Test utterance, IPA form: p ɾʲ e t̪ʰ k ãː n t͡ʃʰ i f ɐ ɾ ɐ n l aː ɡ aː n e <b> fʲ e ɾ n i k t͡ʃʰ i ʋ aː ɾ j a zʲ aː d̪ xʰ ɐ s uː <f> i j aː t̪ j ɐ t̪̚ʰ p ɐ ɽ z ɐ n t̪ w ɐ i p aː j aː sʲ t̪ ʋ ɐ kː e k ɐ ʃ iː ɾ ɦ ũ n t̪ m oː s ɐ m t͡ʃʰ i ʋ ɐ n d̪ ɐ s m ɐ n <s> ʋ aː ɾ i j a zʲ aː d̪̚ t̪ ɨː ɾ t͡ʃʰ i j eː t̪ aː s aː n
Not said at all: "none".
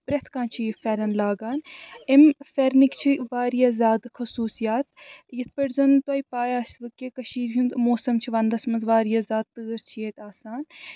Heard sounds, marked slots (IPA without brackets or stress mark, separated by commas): m, s, z